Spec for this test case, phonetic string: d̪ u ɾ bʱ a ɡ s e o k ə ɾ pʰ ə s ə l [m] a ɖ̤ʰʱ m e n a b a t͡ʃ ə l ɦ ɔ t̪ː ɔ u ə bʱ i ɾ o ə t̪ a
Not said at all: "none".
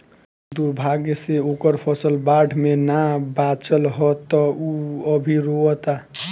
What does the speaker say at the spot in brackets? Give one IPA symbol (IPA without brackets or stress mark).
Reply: b